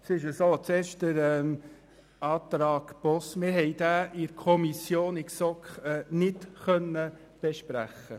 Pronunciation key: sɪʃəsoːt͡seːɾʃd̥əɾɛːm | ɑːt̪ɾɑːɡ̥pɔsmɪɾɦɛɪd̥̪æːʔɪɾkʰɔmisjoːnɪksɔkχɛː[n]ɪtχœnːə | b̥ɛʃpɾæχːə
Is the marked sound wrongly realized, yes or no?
no